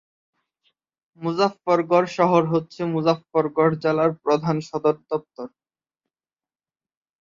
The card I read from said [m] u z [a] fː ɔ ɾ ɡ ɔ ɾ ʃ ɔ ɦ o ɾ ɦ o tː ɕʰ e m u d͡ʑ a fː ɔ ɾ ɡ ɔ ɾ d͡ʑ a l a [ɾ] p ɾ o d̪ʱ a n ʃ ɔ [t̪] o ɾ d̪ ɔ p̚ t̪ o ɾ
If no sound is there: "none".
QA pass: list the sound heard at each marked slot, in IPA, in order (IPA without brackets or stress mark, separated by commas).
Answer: m, a, ɾ, d̪